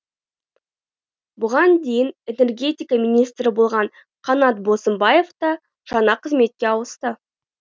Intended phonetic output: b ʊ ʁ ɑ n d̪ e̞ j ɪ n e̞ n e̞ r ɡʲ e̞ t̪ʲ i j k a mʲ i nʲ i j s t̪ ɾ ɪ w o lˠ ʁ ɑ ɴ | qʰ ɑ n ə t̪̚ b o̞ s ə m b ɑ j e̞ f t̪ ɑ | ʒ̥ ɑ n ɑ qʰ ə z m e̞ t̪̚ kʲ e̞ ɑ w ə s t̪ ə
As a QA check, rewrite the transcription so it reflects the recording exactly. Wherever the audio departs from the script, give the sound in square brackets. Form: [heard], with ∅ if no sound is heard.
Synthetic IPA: b ʊ ʁ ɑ n d̪ e̞ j ɪ n e̞ n e̞ r ɡʲ e̞ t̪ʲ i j k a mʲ i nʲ i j s t̪ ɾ ɪ [b] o lˠ ʁ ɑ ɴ | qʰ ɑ n [ɑ] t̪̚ b o̞ s ə m b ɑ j e̞ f t̪ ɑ | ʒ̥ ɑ n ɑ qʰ ə z m e̞ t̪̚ kʲ e̞ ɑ w ə s t̪ ə